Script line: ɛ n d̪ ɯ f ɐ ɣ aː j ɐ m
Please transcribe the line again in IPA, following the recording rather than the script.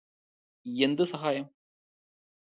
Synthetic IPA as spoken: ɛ n d̪ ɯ s ɐ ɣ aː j ɐ m